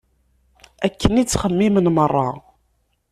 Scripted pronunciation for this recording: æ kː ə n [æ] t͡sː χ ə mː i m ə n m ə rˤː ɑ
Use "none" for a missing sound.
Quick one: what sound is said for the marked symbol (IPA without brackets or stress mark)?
i